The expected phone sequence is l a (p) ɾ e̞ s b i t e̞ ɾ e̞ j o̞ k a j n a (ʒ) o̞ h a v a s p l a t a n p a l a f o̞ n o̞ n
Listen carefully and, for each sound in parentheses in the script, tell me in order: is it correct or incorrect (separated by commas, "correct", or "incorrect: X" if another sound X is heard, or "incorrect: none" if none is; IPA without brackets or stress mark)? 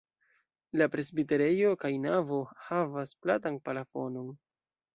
correct, incorrect: v